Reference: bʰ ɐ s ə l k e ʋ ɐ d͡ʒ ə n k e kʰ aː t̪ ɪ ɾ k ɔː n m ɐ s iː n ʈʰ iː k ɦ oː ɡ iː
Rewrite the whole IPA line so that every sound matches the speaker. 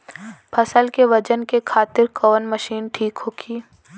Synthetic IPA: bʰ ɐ s ə l k e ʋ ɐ d͡ʒ ə n k e kʰ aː t̪ ɪ ɾ k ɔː n m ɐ ʃ iː n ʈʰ iː k ɦ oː ɡ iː